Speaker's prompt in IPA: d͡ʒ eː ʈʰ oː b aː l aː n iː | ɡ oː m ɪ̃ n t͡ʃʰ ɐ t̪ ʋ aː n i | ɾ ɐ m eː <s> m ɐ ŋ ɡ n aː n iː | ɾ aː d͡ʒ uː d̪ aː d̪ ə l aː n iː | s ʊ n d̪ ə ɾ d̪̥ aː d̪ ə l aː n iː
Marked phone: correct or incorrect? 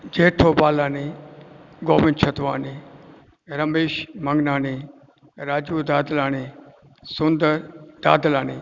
incorrect